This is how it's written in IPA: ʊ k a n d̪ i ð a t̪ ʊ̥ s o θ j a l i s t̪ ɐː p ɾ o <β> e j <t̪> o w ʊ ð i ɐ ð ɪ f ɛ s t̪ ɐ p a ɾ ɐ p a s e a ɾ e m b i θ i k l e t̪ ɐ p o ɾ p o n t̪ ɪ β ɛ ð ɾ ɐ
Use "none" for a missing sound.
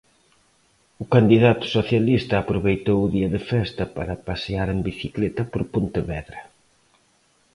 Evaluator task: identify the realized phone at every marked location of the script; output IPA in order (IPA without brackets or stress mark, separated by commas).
β, t̪